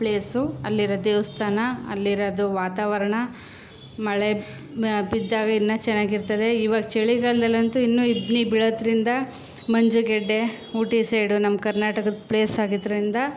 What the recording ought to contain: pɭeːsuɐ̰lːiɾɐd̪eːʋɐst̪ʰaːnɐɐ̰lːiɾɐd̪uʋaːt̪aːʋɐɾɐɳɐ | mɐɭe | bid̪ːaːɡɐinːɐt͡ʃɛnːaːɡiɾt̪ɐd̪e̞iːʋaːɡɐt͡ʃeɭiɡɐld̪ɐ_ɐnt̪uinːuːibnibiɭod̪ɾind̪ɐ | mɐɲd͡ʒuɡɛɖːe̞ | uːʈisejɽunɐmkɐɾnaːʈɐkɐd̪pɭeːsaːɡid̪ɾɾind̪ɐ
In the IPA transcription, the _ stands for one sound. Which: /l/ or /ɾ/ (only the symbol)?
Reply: l